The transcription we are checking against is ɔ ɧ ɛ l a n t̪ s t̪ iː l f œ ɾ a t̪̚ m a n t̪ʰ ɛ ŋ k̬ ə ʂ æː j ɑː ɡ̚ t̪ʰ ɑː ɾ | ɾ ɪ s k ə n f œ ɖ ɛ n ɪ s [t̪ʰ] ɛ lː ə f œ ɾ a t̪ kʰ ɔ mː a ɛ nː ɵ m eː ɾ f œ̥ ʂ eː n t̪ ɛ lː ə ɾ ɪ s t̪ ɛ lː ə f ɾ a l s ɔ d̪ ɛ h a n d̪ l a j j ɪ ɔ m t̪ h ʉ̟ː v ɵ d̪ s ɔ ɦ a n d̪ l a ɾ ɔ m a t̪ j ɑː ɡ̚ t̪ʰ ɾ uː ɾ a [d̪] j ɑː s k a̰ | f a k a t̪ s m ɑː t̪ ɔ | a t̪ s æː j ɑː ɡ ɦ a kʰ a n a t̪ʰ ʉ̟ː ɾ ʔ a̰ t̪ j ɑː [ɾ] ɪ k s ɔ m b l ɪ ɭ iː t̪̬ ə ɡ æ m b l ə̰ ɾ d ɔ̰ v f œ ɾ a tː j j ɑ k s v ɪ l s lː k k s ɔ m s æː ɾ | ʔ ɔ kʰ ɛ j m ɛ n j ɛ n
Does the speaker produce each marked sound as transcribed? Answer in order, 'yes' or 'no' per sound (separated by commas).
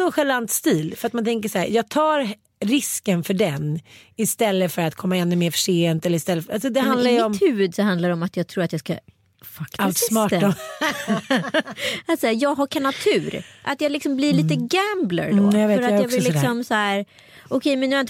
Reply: no, no, no